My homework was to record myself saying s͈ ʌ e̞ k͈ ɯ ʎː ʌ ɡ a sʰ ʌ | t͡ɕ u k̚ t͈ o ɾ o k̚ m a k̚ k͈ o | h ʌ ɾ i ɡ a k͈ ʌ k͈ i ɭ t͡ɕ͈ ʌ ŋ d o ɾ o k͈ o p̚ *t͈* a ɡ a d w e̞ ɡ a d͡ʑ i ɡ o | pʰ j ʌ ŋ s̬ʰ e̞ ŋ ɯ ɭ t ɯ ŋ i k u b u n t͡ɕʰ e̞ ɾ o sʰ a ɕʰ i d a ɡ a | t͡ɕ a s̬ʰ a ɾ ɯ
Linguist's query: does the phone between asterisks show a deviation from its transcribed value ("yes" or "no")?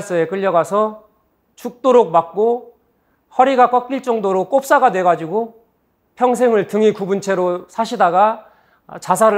yes